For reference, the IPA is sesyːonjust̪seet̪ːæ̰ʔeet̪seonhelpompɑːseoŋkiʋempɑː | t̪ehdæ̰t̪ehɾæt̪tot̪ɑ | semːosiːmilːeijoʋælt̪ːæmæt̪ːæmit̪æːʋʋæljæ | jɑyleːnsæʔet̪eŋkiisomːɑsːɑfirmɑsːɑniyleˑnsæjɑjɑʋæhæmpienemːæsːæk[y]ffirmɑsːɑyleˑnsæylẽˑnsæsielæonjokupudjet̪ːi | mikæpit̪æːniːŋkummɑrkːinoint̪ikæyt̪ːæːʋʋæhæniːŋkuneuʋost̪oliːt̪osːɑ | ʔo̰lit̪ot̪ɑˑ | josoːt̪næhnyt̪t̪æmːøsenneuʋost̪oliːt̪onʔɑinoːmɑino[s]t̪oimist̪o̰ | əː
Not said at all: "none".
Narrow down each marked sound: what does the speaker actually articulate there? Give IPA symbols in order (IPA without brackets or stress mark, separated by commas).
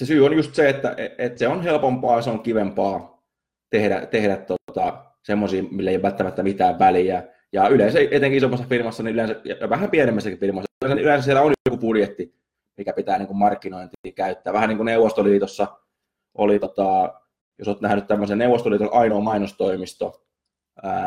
i, s